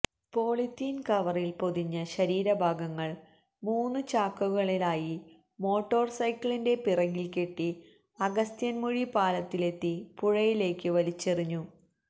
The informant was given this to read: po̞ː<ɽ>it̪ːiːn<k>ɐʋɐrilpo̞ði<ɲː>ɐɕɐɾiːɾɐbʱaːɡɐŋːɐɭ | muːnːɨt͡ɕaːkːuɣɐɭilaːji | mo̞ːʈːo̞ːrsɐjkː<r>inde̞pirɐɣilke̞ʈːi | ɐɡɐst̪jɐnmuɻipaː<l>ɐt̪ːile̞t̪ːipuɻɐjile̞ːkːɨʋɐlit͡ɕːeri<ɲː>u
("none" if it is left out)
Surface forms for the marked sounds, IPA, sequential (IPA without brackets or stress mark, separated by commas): ɭ, k, ɲː, ɭ, l, ɲː